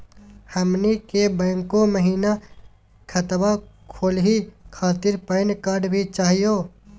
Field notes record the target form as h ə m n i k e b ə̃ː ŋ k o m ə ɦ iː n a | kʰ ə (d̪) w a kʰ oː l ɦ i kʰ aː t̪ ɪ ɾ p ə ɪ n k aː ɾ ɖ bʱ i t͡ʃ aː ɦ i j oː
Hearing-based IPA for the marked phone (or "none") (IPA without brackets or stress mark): t̪